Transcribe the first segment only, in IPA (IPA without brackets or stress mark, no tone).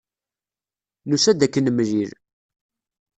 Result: n